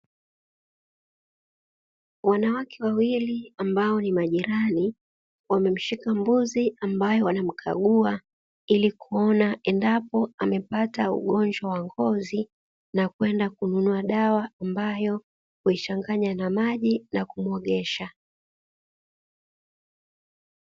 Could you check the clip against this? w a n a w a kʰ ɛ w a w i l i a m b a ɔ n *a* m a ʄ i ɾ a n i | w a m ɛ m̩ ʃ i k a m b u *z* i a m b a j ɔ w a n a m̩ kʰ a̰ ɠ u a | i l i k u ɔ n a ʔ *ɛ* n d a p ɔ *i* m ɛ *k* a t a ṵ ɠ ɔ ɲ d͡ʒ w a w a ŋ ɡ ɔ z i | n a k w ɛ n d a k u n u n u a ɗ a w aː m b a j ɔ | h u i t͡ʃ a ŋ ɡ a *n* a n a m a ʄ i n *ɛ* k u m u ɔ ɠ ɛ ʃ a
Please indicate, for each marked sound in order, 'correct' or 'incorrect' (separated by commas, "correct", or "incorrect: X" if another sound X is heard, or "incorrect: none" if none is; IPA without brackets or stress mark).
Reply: incorrect: i, correct, correct, incorrect: a, incorrect: p, incorrect: ɲ, incorrect: a